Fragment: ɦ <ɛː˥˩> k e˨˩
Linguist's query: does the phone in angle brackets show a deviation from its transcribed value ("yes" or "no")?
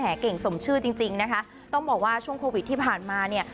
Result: yes